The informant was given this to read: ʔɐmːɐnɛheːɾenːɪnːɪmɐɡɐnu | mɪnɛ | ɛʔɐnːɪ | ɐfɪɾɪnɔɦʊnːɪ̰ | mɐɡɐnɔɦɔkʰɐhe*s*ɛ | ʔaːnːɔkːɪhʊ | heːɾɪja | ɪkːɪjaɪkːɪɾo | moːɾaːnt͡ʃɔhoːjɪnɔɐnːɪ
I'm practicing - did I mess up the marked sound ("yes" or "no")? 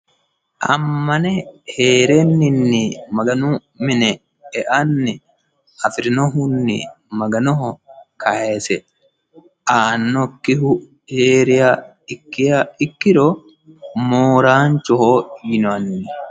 no